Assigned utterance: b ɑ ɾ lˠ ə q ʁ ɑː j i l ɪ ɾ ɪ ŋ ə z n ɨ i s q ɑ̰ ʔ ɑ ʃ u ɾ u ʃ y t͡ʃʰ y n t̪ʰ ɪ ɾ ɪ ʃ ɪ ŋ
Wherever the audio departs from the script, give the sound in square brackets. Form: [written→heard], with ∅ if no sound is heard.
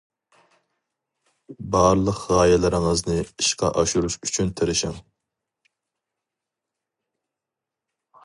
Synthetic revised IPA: b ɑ ɾ lˠ ə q ʁ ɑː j [i→ɛ] l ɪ ɾ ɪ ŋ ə z n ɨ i [s→ʃ] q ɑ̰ ʔ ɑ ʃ u ɾ u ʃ y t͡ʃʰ y n t̪ʰ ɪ ɾ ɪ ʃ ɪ ŋ